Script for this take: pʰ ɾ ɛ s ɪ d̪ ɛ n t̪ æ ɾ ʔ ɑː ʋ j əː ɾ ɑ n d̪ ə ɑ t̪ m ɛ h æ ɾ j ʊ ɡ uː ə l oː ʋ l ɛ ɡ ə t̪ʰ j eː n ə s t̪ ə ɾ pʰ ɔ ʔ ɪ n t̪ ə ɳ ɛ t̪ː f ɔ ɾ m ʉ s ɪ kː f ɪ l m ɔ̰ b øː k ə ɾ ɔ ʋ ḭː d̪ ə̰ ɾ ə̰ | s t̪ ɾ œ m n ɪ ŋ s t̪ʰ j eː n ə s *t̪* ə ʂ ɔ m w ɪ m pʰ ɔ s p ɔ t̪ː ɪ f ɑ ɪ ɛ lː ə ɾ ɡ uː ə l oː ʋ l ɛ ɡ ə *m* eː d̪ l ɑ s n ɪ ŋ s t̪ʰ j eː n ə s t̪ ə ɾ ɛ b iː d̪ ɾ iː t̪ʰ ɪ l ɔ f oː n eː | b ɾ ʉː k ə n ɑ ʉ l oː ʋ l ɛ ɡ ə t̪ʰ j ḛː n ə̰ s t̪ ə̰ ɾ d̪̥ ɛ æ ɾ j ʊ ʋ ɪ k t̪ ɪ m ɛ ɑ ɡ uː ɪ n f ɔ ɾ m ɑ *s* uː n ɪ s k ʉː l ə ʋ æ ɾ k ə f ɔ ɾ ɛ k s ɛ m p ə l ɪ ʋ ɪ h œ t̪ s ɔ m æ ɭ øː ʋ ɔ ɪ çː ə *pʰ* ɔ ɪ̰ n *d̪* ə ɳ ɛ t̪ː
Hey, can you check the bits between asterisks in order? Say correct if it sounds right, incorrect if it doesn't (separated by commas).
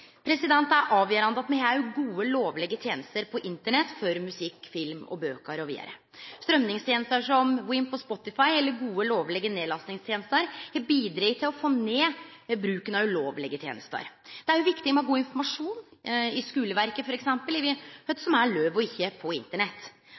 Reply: correct, incorrect, incorrect, correct, incorrect